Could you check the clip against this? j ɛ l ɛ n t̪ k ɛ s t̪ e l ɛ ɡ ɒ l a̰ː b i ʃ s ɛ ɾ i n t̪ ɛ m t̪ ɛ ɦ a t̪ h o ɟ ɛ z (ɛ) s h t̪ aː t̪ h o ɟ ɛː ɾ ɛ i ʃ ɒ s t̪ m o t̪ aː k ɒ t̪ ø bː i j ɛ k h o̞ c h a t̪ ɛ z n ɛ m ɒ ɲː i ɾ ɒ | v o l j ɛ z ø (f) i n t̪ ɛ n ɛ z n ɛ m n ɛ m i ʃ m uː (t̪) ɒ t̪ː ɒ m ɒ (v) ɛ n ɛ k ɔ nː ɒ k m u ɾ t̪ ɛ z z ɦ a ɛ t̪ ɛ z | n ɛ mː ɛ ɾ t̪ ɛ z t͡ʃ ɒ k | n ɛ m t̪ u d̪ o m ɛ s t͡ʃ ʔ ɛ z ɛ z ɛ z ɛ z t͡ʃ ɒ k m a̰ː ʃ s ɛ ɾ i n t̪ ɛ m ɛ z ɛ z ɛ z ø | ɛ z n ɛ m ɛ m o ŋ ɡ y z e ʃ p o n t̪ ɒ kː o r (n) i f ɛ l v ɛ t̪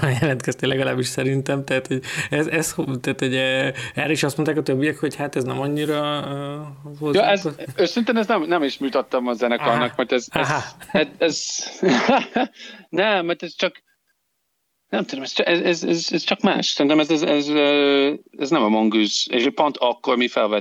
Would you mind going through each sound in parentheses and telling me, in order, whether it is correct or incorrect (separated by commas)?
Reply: correct, incorrect, correct, incorrect, incorrect